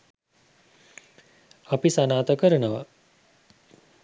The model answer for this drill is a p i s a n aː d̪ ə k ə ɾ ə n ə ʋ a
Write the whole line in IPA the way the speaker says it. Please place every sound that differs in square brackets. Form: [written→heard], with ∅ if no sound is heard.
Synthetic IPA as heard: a p i s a n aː [d̪→t̪] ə k ə ɾ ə n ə ʋ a